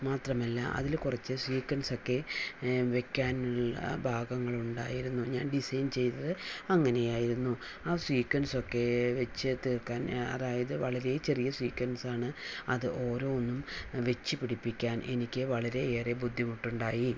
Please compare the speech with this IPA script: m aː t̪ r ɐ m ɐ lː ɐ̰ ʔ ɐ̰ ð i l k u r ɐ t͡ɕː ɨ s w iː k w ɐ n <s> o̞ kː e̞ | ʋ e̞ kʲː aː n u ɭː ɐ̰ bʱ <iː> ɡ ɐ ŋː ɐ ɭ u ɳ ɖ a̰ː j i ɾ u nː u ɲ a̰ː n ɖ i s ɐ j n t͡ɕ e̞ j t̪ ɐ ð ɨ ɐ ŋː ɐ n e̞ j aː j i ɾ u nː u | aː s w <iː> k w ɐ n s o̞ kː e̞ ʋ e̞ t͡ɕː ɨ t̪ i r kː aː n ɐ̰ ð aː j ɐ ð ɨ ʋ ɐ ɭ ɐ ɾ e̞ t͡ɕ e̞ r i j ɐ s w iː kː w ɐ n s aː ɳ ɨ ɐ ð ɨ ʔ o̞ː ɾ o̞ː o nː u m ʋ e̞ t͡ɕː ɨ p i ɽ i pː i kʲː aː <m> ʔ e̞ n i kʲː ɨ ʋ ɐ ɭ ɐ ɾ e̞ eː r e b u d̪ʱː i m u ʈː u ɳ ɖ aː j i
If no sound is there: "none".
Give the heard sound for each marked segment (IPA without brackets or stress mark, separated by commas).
s, aː, iː, n